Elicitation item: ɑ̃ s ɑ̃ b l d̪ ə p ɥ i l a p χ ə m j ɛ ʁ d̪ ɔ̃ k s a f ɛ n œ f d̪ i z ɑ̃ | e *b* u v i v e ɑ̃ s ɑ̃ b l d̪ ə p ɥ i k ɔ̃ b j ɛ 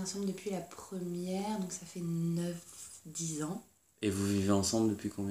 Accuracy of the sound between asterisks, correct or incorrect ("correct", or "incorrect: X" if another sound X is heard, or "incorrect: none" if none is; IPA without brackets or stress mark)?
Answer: incorrect: v